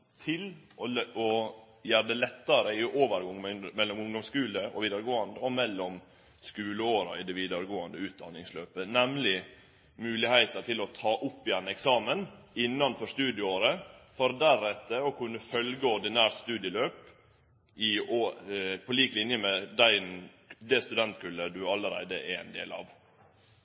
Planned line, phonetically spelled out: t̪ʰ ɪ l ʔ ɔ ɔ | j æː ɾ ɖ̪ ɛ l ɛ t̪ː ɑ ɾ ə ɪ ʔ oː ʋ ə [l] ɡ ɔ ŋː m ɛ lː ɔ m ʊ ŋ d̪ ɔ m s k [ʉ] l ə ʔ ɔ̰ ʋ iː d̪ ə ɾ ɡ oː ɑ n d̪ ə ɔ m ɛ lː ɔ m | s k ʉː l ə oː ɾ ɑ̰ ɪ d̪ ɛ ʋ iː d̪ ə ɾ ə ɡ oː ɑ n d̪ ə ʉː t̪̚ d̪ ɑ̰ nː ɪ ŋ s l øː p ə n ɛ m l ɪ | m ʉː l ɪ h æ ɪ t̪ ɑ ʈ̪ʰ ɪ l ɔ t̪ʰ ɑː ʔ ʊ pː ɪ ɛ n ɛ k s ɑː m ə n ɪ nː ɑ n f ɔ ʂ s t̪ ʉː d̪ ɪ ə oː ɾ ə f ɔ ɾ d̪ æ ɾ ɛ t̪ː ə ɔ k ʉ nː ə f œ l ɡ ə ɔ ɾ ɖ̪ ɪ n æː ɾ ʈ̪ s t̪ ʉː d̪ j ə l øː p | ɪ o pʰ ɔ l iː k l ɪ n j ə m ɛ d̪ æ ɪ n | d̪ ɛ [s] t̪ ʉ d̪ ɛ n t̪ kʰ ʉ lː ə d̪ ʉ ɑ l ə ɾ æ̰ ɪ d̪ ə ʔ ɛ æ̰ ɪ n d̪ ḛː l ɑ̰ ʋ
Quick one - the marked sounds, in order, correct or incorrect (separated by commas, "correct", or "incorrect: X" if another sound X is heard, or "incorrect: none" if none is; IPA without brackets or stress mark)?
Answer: incorrect: ɾ, incorrect: ʉː, correct